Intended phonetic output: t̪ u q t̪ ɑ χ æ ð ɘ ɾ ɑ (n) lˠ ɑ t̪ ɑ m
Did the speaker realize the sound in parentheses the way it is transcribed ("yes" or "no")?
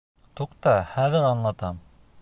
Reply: yes